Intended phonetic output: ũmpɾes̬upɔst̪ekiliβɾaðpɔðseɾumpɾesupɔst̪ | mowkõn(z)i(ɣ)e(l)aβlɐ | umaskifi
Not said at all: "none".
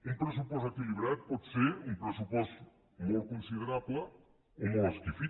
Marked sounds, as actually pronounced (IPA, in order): s, ð, ɾ

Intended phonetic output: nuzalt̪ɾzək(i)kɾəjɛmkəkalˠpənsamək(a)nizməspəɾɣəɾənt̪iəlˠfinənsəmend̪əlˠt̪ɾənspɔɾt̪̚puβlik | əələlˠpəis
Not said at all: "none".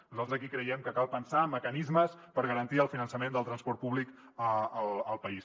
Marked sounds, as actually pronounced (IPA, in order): i, ə

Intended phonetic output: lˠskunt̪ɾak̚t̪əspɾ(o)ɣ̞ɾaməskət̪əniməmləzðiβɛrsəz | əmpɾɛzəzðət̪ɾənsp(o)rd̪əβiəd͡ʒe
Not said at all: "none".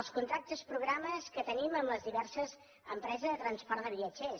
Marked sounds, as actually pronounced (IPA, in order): u, ɔ

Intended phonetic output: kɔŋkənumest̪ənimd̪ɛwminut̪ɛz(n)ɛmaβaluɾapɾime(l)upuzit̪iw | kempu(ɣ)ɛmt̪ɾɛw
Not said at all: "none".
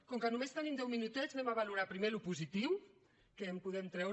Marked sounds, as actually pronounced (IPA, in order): n, l, ð

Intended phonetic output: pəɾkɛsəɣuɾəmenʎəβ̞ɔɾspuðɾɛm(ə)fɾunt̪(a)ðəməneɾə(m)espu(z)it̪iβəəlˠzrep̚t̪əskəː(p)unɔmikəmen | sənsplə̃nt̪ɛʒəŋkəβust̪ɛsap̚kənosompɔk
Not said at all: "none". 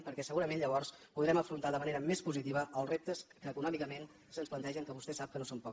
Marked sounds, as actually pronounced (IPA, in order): ə, a, m, z, k

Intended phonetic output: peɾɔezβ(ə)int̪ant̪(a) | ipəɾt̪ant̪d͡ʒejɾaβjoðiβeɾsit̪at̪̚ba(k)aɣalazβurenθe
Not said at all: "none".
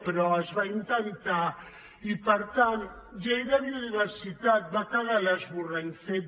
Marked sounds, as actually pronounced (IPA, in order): a, a, k

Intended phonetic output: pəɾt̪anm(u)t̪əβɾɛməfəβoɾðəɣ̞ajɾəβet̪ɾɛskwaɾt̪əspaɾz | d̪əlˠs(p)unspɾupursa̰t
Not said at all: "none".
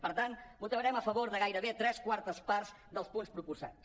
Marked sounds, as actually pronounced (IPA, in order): u, p

